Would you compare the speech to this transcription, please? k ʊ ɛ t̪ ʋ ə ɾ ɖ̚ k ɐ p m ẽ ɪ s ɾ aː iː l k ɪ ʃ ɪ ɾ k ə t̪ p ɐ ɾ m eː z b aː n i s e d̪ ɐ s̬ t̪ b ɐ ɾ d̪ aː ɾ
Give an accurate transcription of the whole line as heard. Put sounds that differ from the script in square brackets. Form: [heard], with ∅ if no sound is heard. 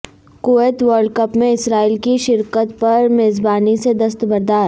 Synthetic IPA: k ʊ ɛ t̪ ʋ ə ɾ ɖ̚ k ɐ p m ẽ ɪ s ɾ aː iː l k [i] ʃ ɪ ɾ k ə t̪ p ɐ ɾ m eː z b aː n i s e d̪ ɐ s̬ t̪ b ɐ ɾ d̪ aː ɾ